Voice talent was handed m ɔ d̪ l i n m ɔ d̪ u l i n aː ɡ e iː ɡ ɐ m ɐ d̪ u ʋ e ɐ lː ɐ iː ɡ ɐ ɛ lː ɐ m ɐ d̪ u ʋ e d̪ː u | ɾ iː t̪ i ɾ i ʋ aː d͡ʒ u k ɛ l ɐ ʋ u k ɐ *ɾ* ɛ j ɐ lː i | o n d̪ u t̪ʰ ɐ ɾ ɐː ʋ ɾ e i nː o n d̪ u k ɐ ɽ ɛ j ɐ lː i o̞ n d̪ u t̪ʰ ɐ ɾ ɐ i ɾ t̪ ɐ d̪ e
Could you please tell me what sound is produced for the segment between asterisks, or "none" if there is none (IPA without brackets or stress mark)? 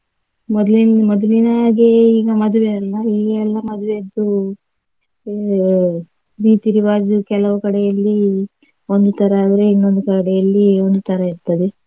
ɽ